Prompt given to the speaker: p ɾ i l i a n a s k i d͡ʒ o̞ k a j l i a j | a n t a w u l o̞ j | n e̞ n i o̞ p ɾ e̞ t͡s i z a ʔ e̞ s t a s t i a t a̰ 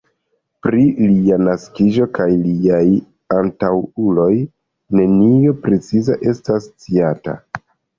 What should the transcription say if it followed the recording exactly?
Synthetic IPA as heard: p ɾ i l i a n a s k i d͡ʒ o̞ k a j l i a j | a n t a w u l o̞ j | n e̞ n i o̞ p ɾ e̞ t͡s i z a ʔ e̞ s t a s t͡s i a t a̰